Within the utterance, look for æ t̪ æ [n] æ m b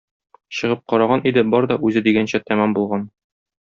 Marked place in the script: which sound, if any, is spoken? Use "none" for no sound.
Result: m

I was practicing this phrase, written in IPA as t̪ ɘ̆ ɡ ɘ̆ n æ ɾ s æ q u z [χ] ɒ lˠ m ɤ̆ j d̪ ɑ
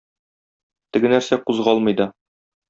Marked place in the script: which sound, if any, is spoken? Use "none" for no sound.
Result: ʁ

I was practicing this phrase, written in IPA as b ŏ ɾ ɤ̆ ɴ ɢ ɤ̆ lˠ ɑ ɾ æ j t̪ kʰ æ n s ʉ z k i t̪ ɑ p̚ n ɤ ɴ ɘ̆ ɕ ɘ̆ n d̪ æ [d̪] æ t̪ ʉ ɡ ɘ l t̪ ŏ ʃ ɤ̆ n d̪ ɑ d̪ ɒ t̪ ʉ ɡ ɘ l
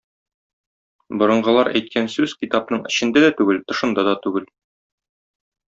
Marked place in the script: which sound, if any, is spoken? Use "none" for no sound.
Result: d̪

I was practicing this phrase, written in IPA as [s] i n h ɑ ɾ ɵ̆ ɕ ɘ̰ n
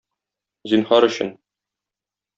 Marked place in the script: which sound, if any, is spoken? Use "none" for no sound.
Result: z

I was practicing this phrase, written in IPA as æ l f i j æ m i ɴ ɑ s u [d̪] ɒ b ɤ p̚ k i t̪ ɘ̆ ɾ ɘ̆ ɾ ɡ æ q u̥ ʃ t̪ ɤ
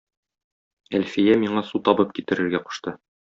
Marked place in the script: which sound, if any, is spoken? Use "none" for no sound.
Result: t̪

